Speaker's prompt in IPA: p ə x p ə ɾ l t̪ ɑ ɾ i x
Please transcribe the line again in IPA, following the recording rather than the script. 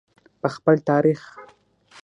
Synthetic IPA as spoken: p ə x p ə l t̪ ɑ ɾ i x